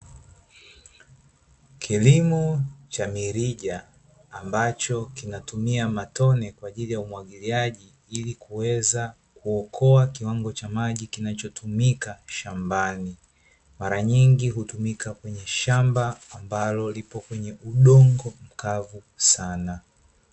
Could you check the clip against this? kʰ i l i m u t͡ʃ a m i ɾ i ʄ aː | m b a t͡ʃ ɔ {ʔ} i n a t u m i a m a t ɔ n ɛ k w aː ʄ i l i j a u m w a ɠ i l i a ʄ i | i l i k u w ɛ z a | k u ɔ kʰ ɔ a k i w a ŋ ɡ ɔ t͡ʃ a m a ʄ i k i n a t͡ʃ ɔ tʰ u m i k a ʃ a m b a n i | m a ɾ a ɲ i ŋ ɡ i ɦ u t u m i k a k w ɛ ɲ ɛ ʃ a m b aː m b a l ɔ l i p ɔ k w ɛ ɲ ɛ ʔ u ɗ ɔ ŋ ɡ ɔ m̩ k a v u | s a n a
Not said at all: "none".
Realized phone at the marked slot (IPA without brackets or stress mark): k